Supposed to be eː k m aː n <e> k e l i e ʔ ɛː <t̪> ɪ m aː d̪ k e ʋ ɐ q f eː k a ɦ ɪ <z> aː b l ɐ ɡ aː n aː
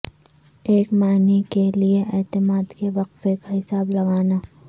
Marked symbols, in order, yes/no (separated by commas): no, yes, no